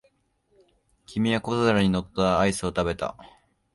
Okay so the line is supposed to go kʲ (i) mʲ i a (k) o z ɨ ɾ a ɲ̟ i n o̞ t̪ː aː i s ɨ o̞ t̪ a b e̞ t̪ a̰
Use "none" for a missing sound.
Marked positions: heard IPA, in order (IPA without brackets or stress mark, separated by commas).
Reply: i, k